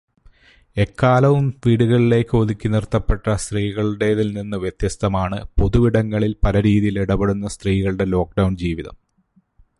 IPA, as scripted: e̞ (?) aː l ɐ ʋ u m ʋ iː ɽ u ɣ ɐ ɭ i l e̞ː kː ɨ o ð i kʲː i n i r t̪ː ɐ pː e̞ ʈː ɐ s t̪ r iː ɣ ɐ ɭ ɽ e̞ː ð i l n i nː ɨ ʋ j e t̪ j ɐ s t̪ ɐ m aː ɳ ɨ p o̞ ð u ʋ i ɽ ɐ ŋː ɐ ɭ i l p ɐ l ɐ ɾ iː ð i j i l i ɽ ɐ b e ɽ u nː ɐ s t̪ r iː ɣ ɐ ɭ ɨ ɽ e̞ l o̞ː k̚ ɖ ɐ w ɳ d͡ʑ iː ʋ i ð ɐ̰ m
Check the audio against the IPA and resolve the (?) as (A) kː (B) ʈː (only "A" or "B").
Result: A